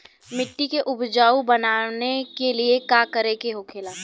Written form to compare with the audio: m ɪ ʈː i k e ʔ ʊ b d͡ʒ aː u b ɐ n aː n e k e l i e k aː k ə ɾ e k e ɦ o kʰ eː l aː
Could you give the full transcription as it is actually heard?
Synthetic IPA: m ɪ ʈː i k e ʔ ʊ b d͡ʒ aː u b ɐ n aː n e k e l i e k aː k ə ɾ e k e ɦ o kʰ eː l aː